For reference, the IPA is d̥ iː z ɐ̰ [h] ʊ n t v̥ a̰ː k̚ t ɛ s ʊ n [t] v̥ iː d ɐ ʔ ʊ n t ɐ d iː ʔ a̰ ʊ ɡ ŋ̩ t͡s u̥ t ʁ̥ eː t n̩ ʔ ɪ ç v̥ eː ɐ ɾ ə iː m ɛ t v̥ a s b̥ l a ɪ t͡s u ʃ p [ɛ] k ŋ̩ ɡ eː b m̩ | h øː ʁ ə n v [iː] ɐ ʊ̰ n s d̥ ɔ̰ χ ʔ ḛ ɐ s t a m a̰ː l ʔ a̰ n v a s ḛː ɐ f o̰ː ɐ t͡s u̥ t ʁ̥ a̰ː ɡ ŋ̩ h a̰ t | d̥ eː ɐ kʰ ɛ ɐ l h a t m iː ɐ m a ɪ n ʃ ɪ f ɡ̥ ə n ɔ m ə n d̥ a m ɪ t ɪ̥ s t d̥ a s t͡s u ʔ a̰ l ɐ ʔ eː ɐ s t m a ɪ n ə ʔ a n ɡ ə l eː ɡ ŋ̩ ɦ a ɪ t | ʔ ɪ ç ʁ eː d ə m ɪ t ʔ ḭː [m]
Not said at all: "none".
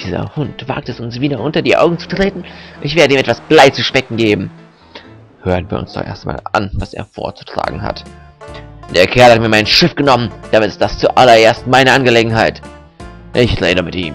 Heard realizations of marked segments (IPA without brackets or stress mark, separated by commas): h, s, ɛ, iː, m